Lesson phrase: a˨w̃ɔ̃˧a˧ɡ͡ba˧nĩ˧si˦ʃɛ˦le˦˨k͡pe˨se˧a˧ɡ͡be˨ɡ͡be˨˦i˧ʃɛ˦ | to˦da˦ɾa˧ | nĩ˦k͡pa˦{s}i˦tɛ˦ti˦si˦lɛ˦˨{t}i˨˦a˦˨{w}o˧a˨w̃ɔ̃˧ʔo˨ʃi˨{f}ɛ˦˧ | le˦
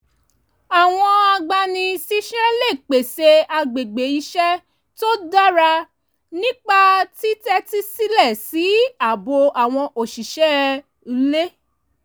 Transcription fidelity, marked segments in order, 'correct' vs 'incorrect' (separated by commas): incorrect, incorrect, incorrect, incorrect